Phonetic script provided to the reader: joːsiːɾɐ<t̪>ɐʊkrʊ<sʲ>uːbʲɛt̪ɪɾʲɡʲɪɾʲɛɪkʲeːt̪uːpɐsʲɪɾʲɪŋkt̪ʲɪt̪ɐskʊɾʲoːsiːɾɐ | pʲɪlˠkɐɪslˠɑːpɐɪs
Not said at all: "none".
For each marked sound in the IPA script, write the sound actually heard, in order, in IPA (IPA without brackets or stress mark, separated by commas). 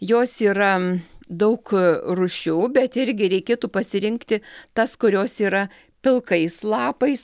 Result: d̪, ʃʲ